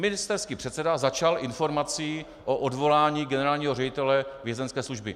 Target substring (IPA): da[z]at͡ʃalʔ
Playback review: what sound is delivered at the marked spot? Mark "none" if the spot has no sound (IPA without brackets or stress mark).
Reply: z